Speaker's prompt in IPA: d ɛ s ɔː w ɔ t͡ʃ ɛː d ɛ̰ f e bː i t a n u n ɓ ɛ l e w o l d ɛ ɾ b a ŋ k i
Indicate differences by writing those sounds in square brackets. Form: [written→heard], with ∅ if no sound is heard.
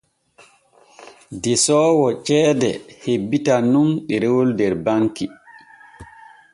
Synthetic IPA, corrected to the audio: d ɛ s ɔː w ɔ t͡ʃ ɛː d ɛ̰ [f→h] e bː i t a n u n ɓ ɛ [l→ɾ] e w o l d ɛ ɾ b a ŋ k i